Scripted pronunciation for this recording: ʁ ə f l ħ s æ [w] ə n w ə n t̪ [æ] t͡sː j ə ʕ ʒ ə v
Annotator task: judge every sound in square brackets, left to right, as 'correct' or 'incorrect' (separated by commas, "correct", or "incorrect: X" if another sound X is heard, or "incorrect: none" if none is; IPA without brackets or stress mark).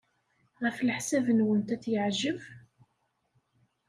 incorrect: v, correct